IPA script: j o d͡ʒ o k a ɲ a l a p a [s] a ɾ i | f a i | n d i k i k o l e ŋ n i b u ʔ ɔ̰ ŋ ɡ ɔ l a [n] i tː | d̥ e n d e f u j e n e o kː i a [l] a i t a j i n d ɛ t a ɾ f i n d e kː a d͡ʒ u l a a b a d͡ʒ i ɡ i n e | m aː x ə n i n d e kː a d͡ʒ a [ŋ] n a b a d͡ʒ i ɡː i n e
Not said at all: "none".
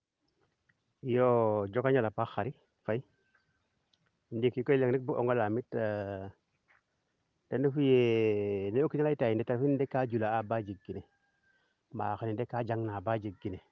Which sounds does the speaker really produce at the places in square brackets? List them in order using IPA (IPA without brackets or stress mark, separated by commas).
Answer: x, m, l, ŋ